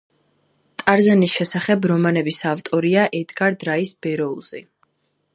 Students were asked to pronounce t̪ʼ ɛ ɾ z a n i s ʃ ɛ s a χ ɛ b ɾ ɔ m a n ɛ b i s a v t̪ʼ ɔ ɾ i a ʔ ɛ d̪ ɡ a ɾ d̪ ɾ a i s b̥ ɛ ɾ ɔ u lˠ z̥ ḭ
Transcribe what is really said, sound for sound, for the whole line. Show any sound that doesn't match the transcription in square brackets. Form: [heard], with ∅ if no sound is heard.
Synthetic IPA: t̪ʼ [a] ɾ z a n i s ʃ ɛ s a χ ɛ b ɾ ɔ m a n ɛ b i s a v t̪ʼ ɔ ɾ i a ʔ ɛ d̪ ɡ a ɾ d̪ ɾ a i s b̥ ɛ ɾ ɔ u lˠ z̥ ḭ